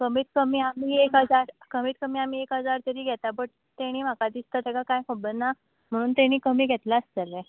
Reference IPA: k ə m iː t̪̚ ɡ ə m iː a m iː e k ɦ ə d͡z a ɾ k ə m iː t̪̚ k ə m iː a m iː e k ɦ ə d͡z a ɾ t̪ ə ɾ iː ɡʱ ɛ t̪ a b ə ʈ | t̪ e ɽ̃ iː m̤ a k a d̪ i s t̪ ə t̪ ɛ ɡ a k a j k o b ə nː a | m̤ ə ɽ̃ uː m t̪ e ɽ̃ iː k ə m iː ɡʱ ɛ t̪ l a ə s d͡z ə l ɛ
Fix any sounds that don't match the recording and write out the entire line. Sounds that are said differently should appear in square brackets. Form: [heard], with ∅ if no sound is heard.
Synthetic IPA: k ə m iː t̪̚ [k] ə m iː a m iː e k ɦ ə d͡z a ɾ k ə m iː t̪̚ k ə m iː a m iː e k ɦ ə d͡z a ɾ t̪ ə ɾ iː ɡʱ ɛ t̪ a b ə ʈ | t̪ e ɽ̃ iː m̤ a k a d̪ i s t̪ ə t̪ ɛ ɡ a k a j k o b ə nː a | m̤ ə ɽ̃ uː [n] t̪ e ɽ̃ iː k ə m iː ɡʱ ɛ t̪ l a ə s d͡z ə l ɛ